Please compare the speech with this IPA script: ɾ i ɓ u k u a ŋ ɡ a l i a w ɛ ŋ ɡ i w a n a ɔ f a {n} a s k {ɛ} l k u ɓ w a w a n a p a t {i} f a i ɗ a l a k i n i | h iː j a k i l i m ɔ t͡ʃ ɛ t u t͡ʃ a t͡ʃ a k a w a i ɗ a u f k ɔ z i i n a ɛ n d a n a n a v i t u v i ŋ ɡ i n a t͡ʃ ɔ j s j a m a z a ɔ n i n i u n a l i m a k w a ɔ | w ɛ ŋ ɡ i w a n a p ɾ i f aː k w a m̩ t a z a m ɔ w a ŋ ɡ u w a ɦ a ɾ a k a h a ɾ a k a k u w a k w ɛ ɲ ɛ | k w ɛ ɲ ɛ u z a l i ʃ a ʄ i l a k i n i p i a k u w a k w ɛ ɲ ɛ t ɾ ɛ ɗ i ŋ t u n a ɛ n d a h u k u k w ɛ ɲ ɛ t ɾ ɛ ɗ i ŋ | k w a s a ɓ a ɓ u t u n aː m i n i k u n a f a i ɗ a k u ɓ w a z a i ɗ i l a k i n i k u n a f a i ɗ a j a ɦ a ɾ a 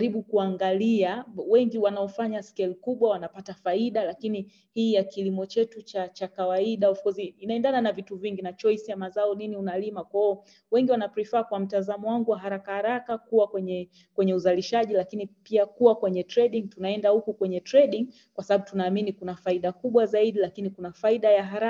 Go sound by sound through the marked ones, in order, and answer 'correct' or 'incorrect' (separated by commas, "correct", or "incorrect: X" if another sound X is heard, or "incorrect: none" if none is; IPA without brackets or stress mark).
incorrect: ɲ, correct, incorrect: a